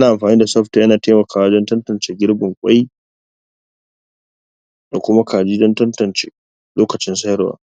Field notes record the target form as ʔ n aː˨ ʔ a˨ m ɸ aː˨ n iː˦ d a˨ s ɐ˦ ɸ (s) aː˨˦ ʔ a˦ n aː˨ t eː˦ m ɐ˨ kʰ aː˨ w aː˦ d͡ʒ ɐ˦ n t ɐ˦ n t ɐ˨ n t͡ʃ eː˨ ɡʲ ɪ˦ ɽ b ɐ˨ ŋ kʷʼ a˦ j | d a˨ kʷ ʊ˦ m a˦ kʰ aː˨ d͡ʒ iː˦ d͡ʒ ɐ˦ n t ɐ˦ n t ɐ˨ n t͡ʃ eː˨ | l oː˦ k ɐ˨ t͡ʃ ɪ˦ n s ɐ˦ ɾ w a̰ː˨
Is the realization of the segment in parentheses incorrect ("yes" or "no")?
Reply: yes